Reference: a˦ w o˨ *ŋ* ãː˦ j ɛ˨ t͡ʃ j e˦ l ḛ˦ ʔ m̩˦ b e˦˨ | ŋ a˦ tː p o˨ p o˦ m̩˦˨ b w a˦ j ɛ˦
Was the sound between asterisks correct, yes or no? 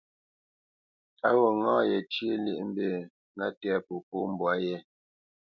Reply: yes